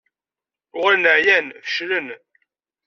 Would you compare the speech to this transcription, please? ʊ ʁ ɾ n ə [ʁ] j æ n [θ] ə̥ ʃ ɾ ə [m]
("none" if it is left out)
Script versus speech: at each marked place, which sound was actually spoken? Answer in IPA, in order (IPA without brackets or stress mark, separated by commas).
ʕ, f, n